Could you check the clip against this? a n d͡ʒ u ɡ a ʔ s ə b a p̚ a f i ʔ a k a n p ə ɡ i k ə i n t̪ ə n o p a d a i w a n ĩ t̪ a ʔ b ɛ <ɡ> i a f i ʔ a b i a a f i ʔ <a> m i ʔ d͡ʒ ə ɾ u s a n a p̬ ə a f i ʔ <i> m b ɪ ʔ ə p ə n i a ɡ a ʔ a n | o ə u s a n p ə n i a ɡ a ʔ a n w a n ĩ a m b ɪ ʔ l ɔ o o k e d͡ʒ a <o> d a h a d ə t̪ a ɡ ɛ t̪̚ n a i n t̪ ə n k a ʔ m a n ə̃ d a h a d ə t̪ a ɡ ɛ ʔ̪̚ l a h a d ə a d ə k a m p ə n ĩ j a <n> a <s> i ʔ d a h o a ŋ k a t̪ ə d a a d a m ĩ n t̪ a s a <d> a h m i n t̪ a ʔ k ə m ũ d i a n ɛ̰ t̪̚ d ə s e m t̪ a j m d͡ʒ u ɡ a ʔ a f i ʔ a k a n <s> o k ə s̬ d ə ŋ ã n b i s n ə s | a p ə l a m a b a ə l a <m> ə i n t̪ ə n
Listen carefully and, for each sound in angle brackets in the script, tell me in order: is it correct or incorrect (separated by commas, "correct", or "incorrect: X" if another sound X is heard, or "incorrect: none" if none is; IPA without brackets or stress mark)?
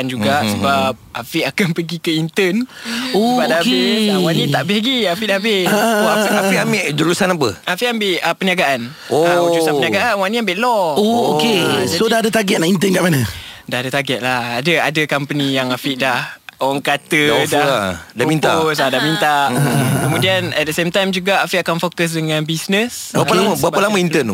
correct, correct, incorrect: a, correct, incorrect: ŋ, incorrect: f, correct, incorrect: f, correct